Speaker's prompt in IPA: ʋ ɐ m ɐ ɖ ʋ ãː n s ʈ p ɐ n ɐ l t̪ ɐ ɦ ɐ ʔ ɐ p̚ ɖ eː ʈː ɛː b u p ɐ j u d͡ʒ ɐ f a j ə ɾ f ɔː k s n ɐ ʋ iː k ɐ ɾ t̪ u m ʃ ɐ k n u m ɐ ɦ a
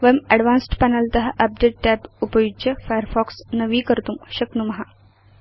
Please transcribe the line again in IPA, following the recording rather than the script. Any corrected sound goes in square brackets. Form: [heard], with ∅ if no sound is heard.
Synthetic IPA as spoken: ʋ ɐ m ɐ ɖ ʋ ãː n s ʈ p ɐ n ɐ l t̪ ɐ ɦ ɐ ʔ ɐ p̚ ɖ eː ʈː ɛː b u p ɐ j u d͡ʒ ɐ f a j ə ɾ f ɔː k s n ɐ ʋ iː k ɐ ɾ t̪ u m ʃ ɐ k n u m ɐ ɦ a